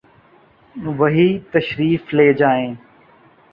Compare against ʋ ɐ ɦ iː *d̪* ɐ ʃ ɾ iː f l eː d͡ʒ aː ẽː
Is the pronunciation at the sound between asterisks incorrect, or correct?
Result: incorrect